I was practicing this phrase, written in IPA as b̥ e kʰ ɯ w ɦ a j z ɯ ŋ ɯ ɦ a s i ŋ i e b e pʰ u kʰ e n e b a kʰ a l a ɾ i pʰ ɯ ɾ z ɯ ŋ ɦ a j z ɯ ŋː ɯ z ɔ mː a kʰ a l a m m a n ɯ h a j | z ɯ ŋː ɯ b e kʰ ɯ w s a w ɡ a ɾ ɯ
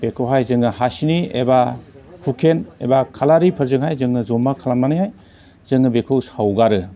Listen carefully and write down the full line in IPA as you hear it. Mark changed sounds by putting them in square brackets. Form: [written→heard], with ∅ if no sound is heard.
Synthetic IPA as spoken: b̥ e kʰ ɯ w ɦ a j z ɯ ŋ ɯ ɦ a s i [ŋ→n] i e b [e→a] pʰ u kʰ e n e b a kʰ a l a ɾ i pʰ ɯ ɾ z ɯ ŋ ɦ a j z ɯ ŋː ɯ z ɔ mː a kʰ a l a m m a n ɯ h a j | z ɯ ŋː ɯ b e kʰ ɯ w s a w ɡ a ɾ ɯ